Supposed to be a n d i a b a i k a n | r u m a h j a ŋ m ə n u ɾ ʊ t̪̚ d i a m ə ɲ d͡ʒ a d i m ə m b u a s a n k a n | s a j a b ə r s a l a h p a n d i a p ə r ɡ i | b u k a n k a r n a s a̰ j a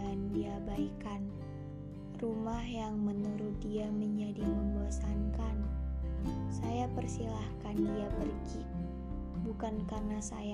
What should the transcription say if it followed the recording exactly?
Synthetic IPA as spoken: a n d i a b a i k a n | r u m a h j a ŋ m ə n u ɾ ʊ t̪̚ d i a m ə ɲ d͡ʒ a d i m ə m b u a s a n k a n | s a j a p ə r s i l a h k a n d i a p ə r ɡ i | b u k a n k a r n a s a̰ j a